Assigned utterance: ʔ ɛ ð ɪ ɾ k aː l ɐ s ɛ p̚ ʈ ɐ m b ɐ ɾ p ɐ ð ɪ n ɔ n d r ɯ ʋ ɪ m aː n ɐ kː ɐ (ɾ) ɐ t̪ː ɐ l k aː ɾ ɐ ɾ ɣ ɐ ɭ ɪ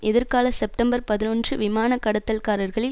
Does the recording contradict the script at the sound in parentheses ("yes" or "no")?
yes